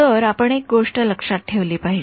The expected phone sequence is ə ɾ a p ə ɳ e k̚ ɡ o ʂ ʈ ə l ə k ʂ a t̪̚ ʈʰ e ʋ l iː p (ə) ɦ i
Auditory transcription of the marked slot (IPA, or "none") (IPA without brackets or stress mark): a